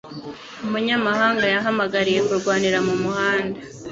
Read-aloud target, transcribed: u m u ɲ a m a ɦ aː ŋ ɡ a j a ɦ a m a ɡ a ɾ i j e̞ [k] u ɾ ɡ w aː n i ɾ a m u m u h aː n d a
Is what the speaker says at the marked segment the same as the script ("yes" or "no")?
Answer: yes